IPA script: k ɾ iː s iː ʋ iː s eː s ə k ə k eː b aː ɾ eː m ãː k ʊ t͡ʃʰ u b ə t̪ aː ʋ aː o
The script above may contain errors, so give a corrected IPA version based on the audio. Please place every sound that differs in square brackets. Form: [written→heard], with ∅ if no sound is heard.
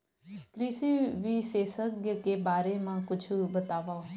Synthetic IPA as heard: k ɾ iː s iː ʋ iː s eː s ə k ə k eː b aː ɾ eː m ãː k ʊ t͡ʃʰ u b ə t̪ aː ʋ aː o